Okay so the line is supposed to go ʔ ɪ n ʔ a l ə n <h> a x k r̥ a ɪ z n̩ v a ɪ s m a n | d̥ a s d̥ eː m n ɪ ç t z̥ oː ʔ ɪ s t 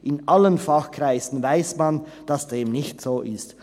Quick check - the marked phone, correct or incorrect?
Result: incorrect